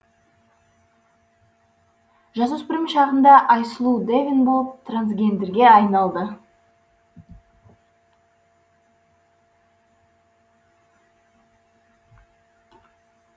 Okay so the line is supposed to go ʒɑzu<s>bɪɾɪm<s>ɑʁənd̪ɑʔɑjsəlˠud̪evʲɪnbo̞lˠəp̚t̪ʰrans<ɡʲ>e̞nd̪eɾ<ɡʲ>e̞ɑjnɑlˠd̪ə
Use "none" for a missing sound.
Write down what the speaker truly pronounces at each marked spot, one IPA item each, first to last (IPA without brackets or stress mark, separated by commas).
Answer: s, ʃ, ɡʲ, ɡʲ